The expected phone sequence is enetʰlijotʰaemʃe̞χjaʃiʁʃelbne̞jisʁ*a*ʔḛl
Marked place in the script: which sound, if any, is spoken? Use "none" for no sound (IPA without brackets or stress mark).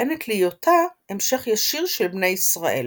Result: a